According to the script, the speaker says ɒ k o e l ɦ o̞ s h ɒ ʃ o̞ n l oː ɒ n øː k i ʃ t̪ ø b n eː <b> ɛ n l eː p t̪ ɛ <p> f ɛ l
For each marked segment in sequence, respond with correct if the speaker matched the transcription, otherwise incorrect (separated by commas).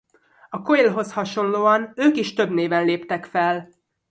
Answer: incorrect, incorrect